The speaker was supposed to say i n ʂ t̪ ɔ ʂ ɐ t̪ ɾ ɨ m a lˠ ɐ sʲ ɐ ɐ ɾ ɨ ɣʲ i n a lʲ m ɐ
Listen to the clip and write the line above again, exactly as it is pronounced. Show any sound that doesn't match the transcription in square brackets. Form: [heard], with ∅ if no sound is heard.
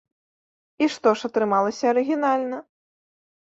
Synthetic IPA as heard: i [∅] ʂ t̪ ɔ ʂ ɐ t̪ ɾ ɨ m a lˠ ɐ sʲ ɐ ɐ ɾ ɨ ɣʲ i n a lʲ [n] ɐ